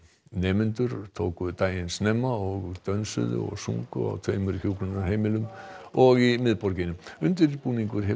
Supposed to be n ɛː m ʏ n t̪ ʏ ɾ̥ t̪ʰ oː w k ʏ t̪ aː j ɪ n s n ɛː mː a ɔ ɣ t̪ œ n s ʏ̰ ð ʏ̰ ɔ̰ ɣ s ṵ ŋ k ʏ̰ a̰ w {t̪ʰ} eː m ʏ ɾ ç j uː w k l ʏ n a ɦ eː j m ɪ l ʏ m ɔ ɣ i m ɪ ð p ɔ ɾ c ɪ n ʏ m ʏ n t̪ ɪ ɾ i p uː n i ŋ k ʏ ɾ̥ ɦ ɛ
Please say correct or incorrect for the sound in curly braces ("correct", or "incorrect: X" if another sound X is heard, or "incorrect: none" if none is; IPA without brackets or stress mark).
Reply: correct